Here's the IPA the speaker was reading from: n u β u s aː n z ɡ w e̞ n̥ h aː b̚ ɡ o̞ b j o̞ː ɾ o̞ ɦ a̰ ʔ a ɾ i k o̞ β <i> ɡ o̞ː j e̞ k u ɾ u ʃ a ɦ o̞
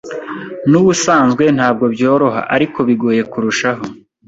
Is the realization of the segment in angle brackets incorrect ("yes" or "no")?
no